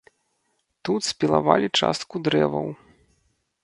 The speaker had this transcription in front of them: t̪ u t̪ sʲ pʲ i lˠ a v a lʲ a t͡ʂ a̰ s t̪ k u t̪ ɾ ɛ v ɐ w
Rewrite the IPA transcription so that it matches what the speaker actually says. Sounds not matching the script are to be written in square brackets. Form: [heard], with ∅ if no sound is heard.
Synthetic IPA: t̪ u t̪ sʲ pʲ i lˠ a v a lʲ [i] t͡ʂ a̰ s t̪ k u [d̪] ɾ ɛ v ɐ w